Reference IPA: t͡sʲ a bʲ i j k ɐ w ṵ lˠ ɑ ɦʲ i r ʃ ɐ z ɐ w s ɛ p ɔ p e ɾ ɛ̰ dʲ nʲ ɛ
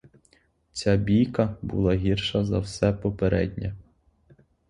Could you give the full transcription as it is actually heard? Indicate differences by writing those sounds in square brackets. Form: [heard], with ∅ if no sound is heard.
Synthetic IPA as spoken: t͡sʲ a bʲ i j k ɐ [b] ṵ lˠ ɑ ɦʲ i r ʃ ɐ z ɐ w s ɛ p ɔ p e ɾ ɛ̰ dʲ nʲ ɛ